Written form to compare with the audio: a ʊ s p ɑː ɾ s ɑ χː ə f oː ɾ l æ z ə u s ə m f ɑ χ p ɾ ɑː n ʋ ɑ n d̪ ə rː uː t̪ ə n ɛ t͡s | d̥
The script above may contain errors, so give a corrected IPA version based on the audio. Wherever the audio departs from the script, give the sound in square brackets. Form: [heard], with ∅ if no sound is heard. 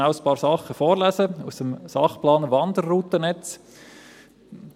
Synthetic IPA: a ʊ s p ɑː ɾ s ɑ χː ə f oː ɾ l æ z ə u s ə m [s] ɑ χ p [l] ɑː n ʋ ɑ n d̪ ə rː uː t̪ ə n ɛ t͡s | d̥

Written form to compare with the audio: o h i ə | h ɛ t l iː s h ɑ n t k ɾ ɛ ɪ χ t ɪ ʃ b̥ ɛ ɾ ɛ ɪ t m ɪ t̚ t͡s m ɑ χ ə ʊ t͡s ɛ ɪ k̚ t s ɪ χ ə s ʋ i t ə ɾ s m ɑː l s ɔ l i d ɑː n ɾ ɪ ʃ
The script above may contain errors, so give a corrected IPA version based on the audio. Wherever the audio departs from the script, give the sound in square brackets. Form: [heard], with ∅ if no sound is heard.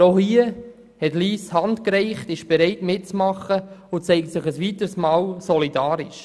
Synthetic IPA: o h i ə | h ɛ t l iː s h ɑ n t k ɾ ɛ ɪ χ t ɪ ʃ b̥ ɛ ɾ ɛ ɪ t m ɪ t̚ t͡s m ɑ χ ə ʊ t͡s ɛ ɪ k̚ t s ɪ χ ə s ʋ i t ə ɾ s m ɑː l s ɔ l i d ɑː [∅] ɾ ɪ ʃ

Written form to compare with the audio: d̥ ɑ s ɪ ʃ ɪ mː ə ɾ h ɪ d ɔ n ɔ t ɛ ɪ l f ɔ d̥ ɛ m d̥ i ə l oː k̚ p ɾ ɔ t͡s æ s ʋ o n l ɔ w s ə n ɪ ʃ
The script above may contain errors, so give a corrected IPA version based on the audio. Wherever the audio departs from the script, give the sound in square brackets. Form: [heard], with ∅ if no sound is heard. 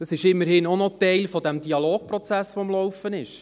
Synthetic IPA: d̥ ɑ s ɪ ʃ ɪ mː ə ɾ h ɪ [n] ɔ n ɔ t ɛ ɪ l f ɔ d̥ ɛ m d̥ i [ɑ] l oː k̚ p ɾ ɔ t͡s æ s ʋ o [m] l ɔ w [f] ə n ɪ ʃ

